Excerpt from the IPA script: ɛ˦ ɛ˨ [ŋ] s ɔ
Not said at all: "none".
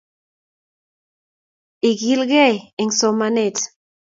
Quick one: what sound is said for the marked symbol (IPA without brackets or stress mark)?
ŋ